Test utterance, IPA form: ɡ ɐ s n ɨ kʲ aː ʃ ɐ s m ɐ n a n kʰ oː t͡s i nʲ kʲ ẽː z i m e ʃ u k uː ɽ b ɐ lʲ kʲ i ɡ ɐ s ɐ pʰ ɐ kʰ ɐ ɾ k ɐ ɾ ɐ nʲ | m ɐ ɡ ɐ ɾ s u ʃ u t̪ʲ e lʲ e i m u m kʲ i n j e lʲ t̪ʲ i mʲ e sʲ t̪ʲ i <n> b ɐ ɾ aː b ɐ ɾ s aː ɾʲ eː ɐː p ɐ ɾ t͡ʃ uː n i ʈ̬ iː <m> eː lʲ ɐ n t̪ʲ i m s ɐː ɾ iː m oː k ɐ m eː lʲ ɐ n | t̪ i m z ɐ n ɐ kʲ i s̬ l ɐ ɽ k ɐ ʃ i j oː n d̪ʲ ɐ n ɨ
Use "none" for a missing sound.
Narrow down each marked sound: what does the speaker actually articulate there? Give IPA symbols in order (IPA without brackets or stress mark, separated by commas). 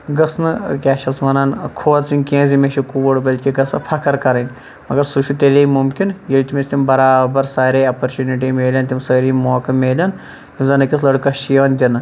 m, m